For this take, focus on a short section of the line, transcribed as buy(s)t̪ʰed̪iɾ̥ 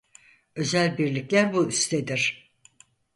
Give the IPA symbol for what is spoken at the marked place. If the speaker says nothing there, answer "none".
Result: s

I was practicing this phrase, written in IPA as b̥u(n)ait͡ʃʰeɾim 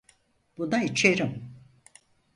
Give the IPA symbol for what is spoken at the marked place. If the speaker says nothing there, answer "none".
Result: n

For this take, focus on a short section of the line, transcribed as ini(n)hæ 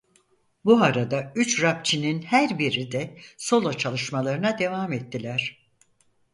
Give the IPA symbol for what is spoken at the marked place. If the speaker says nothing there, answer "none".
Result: n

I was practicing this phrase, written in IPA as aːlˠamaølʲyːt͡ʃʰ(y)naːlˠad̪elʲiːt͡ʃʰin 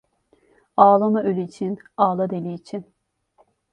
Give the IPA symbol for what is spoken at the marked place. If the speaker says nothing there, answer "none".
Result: i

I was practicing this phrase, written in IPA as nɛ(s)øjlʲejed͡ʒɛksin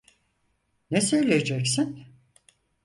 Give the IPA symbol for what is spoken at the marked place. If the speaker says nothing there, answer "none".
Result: s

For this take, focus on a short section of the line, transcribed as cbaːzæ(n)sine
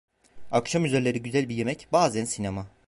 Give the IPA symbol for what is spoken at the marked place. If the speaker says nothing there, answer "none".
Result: n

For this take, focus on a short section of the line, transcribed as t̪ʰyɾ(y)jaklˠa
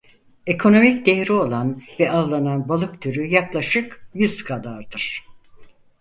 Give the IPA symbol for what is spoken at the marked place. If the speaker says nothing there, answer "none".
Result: y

